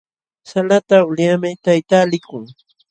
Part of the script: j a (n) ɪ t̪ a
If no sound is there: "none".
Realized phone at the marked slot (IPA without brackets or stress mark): m